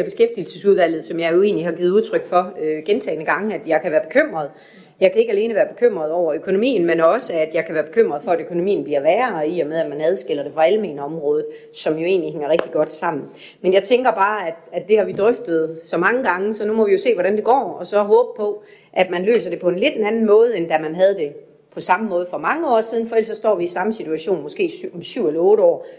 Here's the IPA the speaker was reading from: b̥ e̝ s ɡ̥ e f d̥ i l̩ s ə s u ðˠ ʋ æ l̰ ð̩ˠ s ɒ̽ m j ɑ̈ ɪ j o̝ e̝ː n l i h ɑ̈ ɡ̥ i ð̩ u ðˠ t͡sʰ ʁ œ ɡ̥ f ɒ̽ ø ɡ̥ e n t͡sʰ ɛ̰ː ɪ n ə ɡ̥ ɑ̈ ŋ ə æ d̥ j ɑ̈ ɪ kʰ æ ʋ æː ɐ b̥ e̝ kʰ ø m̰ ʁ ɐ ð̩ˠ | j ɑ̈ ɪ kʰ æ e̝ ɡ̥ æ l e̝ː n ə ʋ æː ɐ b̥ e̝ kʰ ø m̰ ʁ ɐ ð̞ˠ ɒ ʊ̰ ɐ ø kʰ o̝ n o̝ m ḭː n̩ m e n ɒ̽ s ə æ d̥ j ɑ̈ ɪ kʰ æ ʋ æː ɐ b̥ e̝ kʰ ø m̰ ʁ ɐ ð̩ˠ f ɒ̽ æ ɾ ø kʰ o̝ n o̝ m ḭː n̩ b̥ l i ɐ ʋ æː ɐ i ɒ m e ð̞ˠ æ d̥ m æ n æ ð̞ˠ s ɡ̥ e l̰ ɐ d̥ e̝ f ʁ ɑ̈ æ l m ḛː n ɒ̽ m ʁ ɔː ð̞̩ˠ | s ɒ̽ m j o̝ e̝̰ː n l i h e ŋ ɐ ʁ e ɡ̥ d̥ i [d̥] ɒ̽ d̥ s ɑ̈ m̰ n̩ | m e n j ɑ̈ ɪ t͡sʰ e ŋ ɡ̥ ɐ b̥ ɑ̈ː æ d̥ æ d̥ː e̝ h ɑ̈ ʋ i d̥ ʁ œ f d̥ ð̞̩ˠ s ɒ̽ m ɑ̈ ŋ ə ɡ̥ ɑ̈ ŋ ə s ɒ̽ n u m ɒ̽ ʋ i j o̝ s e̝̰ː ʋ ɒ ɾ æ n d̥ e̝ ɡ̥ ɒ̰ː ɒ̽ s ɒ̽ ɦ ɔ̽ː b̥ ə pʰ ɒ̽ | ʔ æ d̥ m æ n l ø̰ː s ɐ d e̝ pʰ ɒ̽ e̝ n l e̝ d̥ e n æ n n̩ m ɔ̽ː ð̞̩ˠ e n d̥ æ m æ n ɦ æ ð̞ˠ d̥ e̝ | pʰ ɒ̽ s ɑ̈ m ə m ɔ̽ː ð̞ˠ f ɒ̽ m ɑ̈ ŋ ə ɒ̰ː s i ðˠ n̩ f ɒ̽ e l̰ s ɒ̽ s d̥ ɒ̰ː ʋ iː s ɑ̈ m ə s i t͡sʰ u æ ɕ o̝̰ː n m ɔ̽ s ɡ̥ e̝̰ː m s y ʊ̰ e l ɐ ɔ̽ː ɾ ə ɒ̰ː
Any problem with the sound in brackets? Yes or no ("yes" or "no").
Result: yes